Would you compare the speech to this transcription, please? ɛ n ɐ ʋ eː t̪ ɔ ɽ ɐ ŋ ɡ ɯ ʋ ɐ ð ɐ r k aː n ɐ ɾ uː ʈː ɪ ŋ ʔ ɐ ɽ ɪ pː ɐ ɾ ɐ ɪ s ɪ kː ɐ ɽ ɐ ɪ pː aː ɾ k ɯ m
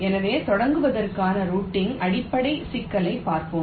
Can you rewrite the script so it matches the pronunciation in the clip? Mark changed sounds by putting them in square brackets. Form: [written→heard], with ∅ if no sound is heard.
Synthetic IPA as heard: ɛ n ɐ ʋ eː t̪ ɔ ɽ ɐ ŋ ɡ ɯ ʋ ɐ ð ɐ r k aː n ɐ ɾ uː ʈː ɪ ŋ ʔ ɐ ɽ ɪ pː ɐ [ɾ→ɽ] ɐ ɪ s ɪ kː ɐ [ɽ→l] ɐ ɪ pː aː ɾ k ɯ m